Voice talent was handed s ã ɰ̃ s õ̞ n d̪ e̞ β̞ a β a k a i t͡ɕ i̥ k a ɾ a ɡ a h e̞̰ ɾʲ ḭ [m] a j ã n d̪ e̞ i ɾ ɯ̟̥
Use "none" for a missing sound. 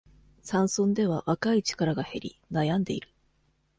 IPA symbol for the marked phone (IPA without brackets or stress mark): n